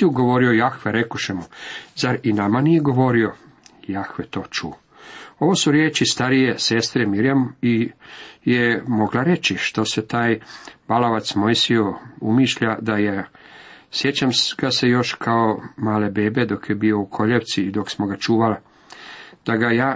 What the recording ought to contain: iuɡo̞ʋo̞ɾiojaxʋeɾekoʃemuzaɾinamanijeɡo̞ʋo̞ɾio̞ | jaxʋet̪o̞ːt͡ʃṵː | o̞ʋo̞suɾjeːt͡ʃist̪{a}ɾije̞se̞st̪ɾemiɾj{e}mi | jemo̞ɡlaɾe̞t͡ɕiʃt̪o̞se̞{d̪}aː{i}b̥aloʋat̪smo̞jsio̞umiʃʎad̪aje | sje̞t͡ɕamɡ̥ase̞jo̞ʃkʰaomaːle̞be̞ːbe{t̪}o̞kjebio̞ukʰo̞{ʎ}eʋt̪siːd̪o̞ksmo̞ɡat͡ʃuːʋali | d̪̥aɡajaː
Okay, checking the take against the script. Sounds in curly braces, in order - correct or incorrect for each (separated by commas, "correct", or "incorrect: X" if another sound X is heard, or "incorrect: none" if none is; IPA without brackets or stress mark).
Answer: correct, incorrect: a, incorrect: t̪, incorrect: j, incorrect: d̪, correct